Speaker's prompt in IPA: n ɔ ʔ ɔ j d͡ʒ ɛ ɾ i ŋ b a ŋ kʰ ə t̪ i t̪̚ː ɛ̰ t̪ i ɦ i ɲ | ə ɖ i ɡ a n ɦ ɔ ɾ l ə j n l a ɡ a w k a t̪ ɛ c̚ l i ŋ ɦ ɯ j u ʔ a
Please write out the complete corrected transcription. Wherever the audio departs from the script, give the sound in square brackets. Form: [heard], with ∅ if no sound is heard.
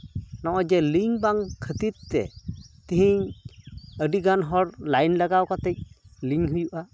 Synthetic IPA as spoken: n ɔ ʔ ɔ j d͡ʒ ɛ [l] i ŋ b a ŋ kʰ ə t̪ i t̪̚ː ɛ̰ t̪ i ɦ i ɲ | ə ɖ i ɡ a n ɦ ɔ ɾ l [a] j n l a ɡ a w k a t̪ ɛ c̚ l i ŋ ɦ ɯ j u ʔ a